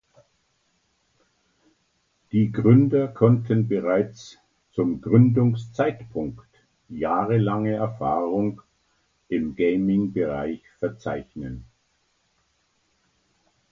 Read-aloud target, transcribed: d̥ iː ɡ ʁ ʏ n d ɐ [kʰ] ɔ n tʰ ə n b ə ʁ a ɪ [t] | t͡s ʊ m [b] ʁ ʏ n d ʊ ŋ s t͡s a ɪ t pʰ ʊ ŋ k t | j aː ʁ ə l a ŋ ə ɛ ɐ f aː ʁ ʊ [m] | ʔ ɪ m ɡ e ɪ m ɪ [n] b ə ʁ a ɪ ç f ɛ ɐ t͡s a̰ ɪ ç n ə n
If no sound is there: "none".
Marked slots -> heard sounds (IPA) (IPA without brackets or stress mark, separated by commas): kʰ, t͡s, ɡ, ŋ, ŋ